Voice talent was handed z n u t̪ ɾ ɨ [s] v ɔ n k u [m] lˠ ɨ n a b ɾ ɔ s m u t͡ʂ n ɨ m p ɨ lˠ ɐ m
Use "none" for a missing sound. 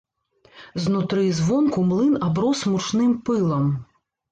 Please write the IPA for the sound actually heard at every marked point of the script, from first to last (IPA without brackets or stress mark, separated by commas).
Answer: z, m